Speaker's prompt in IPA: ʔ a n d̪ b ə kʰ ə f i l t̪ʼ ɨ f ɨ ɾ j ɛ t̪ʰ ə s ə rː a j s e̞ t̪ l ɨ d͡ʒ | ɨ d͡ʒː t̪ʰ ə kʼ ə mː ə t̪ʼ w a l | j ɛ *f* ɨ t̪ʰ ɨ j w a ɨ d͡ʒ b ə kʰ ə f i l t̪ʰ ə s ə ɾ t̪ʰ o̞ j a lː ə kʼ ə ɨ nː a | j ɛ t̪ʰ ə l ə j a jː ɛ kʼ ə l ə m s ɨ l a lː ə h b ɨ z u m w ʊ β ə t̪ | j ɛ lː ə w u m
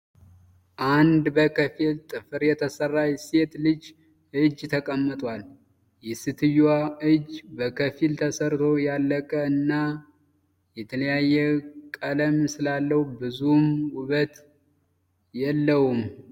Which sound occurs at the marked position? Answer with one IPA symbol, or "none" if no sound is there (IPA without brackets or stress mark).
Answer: s